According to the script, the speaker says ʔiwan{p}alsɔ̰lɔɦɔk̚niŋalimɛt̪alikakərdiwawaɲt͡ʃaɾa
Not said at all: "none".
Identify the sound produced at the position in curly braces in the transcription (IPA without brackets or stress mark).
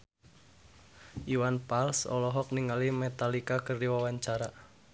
p